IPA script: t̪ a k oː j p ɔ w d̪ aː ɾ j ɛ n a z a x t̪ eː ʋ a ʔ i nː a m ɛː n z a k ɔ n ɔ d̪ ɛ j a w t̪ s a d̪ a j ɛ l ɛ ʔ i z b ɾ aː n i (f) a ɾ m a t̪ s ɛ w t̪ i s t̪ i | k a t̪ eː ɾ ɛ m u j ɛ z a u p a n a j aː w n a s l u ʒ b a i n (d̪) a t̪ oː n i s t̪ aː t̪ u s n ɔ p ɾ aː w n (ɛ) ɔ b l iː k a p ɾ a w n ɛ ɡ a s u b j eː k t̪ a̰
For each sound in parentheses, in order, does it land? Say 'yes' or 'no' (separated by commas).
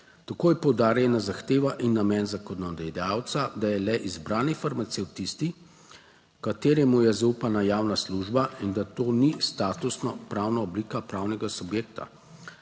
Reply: yes, yes, no